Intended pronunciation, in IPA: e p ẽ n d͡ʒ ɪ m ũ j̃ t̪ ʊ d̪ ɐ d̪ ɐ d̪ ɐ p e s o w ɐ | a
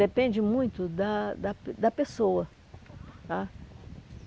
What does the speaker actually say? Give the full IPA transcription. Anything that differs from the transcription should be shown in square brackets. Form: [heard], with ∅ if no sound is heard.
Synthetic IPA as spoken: e p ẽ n d͡ʒ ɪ m ũ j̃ t̪ ʊ d̪ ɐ d̪ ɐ d̪ ɐ p e s o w ɐ | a